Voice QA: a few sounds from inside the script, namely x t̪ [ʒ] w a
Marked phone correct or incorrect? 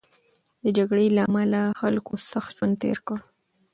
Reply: correct